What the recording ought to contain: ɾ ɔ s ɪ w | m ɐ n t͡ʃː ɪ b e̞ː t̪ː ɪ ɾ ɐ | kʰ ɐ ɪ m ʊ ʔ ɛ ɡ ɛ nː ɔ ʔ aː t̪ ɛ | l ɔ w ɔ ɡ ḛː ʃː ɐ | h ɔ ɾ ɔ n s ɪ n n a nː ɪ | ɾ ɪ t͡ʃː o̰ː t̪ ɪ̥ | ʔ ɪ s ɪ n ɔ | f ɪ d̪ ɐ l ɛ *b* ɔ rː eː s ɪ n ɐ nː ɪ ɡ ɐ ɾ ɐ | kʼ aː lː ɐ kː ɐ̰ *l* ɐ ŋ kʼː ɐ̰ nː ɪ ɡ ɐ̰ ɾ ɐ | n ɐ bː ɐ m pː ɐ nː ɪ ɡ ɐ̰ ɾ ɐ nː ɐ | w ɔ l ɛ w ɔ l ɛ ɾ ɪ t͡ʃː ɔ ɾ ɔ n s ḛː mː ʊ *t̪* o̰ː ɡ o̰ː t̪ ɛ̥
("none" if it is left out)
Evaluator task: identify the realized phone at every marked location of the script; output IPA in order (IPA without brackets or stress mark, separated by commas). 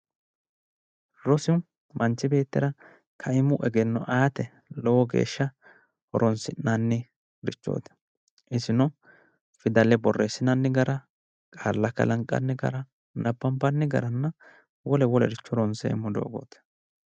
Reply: b, l, d̪